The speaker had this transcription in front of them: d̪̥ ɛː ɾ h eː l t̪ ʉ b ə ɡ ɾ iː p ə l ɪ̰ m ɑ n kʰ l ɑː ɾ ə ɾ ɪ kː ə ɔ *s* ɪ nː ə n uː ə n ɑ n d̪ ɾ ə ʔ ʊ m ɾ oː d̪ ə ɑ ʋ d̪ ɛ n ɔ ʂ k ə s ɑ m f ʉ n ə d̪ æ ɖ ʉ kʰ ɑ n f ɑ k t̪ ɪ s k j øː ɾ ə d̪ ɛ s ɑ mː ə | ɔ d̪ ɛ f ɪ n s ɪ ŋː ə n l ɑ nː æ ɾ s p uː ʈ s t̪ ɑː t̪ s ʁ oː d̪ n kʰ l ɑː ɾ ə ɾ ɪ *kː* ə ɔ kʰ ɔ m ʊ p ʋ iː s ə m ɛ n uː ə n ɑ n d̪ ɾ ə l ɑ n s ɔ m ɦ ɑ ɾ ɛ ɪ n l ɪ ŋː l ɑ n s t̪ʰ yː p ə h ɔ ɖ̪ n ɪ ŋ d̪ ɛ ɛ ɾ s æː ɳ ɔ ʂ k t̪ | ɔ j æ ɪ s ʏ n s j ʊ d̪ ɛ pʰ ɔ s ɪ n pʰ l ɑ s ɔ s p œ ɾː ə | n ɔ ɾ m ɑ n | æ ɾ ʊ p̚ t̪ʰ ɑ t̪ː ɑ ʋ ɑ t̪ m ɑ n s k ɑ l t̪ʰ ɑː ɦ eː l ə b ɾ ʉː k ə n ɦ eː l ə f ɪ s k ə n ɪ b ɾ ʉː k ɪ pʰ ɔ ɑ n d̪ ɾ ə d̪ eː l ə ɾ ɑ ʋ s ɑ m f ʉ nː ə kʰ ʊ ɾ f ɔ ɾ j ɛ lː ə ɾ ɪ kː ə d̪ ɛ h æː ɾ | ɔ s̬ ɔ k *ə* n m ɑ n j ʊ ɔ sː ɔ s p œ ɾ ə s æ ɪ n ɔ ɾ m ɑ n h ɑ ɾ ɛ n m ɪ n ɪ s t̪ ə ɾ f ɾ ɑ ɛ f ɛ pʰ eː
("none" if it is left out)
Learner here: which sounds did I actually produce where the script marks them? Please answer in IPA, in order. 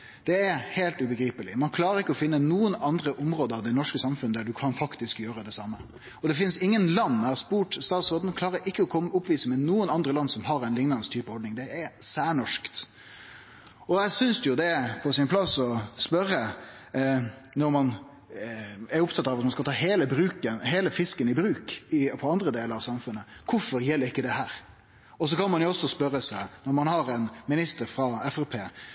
f, kː, ɑ

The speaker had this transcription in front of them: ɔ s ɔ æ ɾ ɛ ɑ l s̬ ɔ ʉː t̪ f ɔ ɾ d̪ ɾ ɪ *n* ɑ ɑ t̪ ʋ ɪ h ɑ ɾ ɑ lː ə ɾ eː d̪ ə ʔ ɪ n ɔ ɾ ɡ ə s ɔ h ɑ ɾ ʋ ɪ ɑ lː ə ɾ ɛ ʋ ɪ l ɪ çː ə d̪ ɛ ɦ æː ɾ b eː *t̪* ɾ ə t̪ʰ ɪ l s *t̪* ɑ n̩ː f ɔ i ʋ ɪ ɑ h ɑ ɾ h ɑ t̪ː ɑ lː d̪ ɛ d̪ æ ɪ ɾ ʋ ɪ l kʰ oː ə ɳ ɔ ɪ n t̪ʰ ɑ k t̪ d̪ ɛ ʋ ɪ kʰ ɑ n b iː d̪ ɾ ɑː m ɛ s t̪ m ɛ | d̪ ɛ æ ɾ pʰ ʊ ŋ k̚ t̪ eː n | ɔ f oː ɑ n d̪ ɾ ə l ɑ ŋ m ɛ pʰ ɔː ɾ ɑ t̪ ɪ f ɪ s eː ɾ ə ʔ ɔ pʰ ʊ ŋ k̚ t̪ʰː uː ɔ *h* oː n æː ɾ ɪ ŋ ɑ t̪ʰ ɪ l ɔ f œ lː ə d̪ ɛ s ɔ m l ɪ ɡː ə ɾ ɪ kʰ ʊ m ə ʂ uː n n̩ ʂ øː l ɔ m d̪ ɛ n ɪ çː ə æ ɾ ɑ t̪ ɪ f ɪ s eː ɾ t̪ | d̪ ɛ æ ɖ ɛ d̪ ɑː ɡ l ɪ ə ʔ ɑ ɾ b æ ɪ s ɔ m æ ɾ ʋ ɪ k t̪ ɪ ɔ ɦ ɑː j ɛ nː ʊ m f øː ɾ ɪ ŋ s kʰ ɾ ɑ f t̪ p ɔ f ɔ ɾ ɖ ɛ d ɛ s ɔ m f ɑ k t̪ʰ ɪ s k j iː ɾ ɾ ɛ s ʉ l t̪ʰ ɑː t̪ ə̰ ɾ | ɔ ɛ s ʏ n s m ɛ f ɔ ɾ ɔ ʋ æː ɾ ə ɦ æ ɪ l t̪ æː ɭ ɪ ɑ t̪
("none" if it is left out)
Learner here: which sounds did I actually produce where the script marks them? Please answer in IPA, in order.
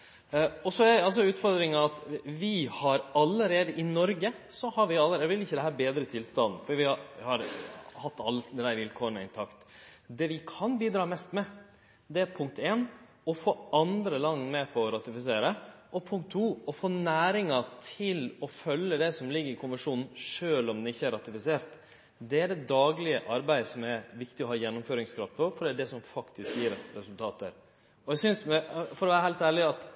ŋ, d̪, t̪, f

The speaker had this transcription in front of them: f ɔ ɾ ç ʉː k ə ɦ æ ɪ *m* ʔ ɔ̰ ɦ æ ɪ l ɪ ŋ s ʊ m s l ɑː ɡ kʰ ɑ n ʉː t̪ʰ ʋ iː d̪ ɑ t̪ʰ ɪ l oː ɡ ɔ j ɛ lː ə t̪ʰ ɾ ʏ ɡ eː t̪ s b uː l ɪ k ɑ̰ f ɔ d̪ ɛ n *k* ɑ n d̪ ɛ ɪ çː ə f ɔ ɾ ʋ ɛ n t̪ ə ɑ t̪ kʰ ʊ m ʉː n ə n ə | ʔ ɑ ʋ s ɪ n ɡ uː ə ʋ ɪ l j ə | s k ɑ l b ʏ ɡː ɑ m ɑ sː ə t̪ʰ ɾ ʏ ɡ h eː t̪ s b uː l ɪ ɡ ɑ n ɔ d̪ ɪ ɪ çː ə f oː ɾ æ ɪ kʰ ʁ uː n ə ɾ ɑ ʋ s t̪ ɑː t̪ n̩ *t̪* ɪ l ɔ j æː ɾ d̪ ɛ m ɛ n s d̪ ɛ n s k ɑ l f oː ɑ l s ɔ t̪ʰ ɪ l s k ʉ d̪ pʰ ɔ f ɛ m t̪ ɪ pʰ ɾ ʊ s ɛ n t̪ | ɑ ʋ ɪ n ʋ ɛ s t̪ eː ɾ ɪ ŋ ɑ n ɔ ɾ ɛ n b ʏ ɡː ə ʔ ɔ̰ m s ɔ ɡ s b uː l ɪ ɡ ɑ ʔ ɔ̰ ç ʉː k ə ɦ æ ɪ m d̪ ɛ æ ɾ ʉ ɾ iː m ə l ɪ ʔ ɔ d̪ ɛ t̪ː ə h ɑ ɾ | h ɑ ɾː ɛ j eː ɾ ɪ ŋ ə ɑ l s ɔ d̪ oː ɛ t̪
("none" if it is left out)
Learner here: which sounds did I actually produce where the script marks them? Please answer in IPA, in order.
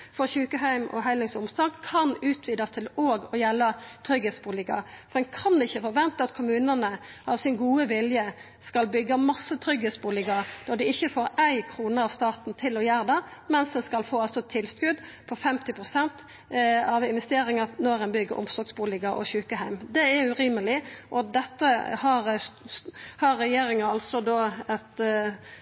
m, kʰ, t̪ʰ

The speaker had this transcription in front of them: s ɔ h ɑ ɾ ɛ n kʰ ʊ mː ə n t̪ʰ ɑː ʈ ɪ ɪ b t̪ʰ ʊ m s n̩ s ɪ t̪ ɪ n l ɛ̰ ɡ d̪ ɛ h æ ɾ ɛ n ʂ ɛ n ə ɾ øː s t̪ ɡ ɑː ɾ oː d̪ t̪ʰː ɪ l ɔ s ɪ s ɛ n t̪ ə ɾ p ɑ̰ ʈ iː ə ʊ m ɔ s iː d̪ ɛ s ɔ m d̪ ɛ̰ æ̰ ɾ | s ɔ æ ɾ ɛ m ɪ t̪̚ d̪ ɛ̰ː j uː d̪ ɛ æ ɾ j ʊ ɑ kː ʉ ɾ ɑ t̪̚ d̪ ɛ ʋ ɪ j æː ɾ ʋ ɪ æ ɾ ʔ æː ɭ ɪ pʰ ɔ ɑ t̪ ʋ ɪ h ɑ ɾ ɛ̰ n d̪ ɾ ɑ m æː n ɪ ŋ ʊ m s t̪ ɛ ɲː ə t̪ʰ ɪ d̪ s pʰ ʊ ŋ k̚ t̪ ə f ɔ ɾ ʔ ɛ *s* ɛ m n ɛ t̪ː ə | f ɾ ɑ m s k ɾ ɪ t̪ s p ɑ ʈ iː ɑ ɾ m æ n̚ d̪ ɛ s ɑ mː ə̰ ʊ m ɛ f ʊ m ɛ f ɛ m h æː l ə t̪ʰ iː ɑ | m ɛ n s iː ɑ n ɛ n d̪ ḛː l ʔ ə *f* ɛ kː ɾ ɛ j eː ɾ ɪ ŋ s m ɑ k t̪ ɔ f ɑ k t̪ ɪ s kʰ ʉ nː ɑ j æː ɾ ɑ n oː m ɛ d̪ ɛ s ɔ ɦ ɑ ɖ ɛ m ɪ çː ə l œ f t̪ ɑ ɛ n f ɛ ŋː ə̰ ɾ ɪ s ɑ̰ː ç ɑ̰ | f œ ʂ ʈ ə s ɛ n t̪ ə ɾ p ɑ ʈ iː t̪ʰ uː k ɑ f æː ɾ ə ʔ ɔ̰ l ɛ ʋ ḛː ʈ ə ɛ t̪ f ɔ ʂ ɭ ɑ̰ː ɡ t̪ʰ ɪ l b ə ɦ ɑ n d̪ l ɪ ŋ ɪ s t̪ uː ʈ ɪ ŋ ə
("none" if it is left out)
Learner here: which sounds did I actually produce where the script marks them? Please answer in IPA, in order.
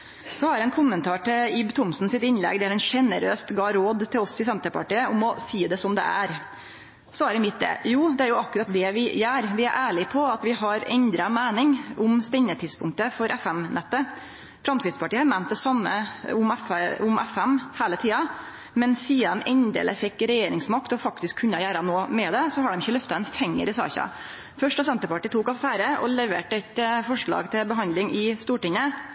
f, f

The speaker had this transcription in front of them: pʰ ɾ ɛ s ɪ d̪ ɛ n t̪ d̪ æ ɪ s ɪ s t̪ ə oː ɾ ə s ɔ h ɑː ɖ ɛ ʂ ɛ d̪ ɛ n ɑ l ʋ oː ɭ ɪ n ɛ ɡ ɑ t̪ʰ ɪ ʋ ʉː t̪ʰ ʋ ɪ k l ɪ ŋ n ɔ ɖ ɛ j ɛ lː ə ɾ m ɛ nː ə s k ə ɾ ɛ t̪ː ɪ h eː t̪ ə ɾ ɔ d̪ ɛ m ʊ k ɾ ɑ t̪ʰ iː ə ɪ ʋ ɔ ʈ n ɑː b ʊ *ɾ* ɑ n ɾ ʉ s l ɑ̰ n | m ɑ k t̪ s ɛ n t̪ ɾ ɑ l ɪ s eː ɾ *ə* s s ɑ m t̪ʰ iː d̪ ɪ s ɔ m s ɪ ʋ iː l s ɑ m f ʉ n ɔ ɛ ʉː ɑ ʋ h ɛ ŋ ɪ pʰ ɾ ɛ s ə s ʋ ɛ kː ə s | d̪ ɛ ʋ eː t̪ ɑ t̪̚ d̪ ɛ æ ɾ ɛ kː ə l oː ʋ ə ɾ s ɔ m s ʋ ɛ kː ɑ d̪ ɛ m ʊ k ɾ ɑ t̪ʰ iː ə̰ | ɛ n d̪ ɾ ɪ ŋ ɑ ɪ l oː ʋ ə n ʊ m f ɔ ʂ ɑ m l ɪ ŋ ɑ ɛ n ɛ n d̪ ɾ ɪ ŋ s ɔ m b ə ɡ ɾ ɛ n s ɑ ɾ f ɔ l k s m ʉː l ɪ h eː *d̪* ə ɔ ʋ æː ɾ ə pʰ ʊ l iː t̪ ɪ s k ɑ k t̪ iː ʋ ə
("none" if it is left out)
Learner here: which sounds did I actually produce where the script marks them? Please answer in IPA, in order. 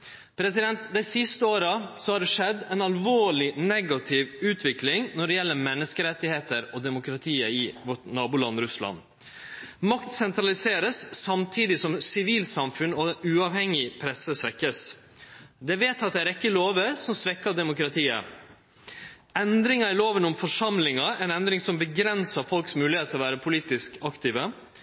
l, ə, t̪

